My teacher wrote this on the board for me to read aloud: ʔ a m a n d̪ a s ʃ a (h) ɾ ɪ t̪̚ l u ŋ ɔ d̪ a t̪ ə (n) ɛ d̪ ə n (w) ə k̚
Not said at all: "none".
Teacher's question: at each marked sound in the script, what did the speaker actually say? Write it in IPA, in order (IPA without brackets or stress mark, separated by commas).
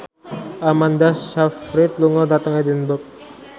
f, ŋ, b